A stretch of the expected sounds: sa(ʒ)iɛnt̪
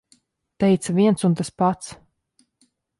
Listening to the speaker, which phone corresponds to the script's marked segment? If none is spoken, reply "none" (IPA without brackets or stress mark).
v